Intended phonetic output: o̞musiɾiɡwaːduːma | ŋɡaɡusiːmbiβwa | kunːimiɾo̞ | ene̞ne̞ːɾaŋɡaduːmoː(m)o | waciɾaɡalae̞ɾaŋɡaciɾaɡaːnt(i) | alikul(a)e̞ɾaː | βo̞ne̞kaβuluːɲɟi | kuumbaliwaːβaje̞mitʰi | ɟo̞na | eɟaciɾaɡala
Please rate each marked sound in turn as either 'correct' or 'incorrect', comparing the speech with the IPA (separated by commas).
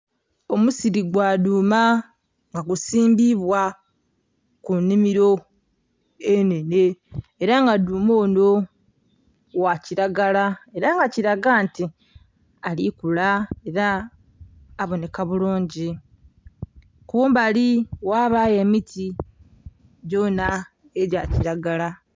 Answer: incorrect, correct, correct